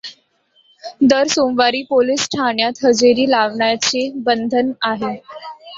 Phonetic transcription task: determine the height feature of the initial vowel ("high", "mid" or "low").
mid